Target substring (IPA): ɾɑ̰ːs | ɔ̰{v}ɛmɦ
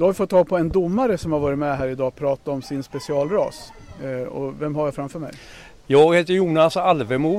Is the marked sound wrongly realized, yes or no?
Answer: no